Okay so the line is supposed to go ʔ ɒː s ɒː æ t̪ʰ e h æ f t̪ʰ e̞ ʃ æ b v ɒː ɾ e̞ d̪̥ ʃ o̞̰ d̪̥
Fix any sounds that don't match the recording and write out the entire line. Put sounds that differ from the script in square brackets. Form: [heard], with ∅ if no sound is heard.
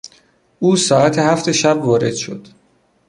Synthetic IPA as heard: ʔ [uː] s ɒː æ t̪ʰ e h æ f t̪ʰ e̞ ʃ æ b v ɒː ɾ e̞ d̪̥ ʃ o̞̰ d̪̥